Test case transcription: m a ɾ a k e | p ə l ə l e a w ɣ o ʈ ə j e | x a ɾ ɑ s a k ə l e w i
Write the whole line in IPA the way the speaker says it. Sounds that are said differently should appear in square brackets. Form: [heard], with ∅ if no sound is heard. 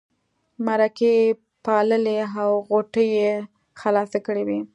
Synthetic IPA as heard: m a ɾ a k e | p [ɑ] l ə l e a w ɣ o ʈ ə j e | x a [l] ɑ s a k ə [ɽ] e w i